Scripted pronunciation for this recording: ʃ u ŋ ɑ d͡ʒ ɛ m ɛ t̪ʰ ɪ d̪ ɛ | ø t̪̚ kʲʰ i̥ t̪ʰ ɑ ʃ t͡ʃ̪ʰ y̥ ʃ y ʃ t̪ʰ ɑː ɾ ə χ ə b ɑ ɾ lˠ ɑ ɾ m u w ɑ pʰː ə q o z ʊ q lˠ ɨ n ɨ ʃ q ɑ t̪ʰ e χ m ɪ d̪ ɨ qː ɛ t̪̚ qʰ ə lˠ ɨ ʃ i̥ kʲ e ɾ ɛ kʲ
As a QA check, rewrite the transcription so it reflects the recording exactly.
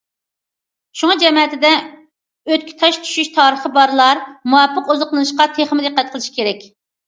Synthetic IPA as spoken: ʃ u ŋ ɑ d͡ʒ ɛ m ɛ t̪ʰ ɪ d̪ ɛ | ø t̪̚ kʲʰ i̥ t̪ʰ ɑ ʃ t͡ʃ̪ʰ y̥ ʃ y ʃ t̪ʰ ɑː ɾ ə χ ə b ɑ ɾ lˠ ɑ ɾ m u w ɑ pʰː ə q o z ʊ q lˠ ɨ n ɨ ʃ q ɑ t̪ʰ e χ m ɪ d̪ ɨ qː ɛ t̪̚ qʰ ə lˠ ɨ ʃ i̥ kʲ e ɾ ɛ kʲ